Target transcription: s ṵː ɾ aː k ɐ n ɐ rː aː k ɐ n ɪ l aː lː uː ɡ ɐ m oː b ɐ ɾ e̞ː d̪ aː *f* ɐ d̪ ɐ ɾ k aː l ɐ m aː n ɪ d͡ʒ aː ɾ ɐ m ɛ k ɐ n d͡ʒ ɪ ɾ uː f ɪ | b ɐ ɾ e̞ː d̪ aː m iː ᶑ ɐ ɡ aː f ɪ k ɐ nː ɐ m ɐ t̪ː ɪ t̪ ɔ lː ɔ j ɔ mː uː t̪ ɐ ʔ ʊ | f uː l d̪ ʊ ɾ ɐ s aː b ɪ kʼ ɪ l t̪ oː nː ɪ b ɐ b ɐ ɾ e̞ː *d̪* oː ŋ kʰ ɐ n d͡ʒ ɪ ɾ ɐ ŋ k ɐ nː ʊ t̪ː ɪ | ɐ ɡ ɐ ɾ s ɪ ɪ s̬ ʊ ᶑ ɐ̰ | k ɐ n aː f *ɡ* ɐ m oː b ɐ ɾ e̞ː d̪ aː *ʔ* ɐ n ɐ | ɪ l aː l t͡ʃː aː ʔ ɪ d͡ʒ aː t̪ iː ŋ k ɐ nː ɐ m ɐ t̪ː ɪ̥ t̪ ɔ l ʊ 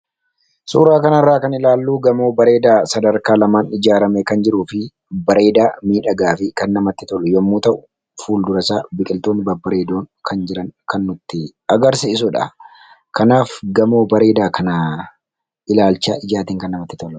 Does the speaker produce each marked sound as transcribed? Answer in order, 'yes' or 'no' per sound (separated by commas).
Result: no, yes, yes, no